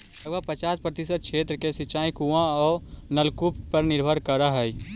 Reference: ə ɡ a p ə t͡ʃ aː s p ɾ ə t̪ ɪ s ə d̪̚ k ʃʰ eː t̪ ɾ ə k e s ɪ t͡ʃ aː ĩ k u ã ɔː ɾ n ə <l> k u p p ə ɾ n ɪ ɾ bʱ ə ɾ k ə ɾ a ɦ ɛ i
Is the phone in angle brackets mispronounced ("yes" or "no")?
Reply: no